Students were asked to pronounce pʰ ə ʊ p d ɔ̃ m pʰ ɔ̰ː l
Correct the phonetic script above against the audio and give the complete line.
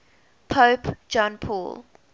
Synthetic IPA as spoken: pʰ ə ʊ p d͡ʒ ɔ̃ n pʰ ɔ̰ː l

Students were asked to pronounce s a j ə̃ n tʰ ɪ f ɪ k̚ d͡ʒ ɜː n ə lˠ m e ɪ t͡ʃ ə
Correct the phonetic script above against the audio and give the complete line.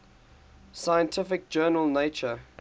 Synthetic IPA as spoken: s a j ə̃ n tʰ ɪ f ɪ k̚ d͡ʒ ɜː n ə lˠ n e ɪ t͡ʃ ə

